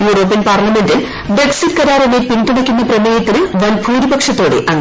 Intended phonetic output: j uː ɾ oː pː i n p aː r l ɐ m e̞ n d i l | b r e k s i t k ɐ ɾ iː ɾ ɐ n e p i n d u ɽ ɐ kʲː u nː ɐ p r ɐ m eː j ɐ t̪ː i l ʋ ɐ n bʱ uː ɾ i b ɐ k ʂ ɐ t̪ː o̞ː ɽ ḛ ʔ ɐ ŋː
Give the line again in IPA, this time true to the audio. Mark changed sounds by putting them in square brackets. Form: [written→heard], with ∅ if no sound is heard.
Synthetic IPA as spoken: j uː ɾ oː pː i n p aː r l ɐ m e̞ n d i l | b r e k s i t k ɐ ɾ [iː→aː] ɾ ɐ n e p i n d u ɽ ɐ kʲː u nː ɐ p r ɐ m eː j ɐ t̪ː i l ʋ ɐ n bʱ uː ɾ i b ɐ k ʂ ɐ t̪ː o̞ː ɽ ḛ ʔ ɐ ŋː